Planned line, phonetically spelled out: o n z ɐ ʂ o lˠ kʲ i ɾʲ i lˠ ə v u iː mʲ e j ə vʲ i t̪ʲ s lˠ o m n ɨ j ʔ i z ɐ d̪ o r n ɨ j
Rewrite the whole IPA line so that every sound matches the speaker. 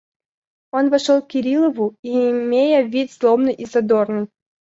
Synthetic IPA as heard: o n v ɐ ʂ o lˠ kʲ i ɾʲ i lˠ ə v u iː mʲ e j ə vʲ i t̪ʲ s lˠ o m n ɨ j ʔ i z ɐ d̪ o r n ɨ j